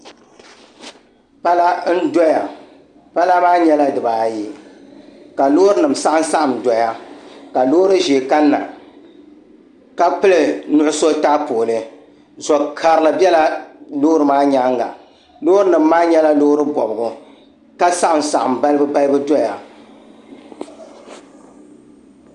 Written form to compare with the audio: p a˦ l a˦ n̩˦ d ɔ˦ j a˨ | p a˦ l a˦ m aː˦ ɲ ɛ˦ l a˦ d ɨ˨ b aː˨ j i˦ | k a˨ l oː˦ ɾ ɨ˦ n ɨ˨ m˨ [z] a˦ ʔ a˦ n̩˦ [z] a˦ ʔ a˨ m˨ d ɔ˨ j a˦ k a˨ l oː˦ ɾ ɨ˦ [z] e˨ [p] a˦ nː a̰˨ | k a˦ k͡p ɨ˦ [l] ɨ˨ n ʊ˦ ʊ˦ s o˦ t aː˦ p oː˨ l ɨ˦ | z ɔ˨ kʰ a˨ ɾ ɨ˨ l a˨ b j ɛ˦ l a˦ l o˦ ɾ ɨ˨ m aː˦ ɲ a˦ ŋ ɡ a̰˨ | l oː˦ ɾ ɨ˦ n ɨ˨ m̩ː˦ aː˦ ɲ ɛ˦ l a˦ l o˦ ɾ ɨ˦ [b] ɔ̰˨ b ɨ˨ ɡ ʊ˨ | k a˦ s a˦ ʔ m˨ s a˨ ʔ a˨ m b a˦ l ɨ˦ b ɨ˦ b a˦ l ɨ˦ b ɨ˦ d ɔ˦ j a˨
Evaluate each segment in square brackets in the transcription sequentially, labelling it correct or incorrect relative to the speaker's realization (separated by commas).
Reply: incorrect, incorrect, incorrect, incorrect, correct, correct